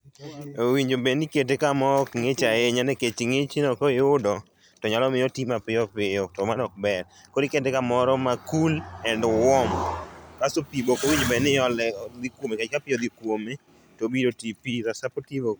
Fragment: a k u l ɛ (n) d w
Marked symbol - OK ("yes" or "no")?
yes